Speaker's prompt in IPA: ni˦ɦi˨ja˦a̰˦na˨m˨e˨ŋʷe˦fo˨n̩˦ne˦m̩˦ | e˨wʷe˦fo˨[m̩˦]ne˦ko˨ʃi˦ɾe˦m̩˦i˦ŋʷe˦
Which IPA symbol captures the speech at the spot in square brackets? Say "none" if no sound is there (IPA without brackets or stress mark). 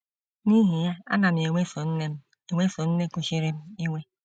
n̩˦